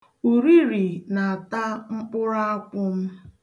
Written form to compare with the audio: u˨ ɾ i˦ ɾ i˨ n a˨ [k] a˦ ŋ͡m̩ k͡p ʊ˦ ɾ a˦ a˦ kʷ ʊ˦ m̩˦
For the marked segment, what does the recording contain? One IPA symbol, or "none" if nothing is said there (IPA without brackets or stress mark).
t